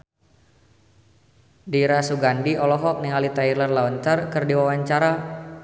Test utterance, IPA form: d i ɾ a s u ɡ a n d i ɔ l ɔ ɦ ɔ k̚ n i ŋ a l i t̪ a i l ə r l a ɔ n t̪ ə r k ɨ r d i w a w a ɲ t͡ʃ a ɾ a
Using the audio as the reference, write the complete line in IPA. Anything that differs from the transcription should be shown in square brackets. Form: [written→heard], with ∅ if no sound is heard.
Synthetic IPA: d i ɾ a s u ɡ a n d i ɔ l ɔ ɦ ɔ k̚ n i ŋ a l i t̪ a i l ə r l a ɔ n t̪ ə r k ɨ r d i w a w a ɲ t͡ʃ a ɾ a